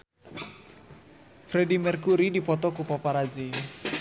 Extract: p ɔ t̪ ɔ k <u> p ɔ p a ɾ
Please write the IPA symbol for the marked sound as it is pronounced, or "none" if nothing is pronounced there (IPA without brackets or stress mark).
u